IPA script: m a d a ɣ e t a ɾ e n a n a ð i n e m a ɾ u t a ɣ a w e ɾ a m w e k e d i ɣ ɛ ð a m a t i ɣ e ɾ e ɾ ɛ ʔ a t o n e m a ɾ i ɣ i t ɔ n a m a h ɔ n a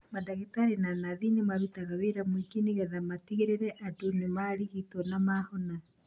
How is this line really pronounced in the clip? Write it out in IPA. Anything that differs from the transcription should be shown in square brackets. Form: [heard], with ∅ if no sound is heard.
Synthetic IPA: m a d a ɣ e t a ɾ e n a n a ð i n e m a ɾ u t a ɣ a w e ɾ a m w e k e [n] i ɣ ɛ ð a m a t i ɣ e ɾ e ɾ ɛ ʔ a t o n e m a ɾ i ɣ i t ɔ n a m a h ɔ n a